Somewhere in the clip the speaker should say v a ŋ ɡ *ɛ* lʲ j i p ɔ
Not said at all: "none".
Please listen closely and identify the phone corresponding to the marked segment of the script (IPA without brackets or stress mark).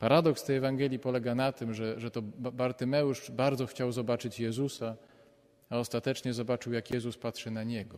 ɛ